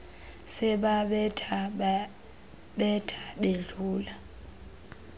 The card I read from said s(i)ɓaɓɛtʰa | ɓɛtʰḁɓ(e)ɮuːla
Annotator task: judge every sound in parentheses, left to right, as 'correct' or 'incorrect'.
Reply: incorrect: ɛ, correct

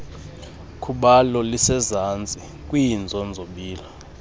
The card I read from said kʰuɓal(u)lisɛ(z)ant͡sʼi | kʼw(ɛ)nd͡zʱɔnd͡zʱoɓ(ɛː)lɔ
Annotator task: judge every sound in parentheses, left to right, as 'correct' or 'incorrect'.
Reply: incorrect: ɔ, correct, incorrect: i, incorrect: iː

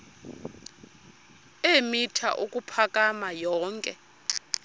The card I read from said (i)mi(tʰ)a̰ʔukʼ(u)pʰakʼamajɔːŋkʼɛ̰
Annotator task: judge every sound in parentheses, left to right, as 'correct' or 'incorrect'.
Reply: incorrect: e, correct, correct

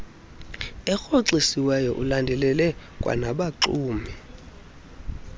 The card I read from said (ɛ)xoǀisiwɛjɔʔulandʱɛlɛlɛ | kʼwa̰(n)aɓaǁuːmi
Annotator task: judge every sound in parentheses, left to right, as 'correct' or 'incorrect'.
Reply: correct, correct

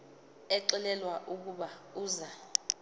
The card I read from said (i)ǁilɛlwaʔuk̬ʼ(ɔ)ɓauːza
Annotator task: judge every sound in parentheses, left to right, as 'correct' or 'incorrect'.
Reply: incorrect: ɛ, incorrect: u

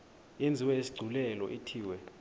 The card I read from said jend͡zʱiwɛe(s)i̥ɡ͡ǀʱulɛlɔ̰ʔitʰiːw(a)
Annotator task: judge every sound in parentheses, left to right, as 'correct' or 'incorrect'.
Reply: correct, incorrect: ɛ

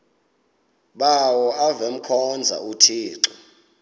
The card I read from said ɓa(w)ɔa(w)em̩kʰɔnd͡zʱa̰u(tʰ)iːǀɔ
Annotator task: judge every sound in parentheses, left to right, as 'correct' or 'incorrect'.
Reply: correct, incorrect: v, correct

